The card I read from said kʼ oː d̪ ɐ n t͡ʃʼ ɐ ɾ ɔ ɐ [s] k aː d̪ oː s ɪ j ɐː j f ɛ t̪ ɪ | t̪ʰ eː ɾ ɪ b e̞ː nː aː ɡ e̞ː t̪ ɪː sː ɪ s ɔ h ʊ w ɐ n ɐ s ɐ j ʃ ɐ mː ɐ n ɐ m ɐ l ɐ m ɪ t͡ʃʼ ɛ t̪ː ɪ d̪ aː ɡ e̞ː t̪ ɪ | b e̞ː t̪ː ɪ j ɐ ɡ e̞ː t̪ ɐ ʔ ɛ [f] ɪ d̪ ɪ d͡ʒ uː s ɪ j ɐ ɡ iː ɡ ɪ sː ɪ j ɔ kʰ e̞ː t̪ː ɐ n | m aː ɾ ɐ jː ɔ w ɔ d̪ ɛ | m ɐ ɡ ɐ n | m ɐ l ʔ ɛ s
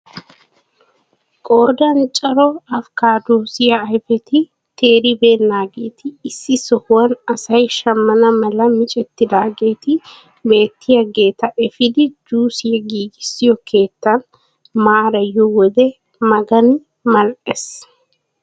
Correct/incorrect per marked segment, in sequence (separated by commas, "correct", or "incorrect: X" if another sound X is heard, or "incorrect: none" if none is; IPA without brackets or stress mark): incorrect: f, correct